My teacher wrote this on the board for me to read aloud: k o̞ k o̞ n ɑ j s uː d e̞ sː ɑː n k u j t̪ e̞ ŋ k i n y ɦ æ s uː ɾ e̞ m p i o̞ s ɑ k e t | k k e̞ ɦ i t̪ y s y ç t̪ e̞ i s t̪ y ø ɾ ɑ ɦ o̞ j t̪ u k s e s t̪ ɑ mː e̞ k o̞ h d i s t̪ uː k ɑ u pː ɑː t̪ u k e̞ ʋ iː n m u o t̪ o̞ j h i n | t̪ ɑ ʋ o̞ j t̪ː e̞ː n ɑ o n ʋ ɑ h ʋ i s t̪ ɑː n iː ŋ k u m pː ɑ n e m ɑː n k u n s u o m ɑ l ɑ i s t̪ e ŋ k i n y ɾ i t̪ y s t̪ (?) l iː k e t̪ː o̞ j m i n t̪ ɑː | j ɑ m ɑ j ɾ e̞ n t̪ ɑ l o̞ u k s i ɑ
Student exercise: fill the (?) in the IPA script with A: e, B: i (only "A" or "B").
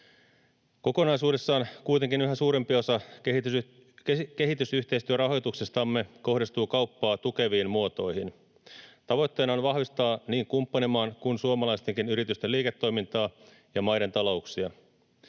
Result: A